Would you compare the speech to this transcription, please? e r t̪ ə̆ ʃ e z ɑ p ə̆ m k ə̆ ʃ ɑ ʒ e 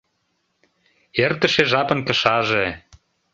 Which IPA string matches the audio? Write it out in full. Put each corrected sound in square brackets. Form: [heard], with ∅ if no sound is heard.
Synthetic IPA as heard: e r t̪ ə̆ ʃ e [ʒ] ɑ p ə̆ [n] k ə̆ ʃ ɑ ʒ e